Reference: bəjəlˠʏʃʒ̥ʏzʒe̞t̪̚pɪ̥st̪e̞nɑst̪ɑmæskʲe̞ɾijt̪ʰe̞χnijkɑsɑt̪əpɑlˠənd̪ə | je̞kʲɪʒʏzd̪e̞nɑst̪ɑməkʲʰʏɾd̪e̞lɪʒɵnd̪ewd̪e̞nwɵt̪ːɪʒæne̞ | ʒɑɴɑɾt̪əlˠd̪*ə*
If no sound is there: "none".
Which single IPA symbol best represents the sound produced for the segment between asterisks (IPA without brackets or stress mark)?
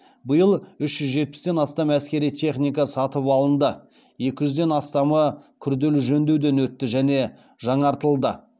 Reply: ə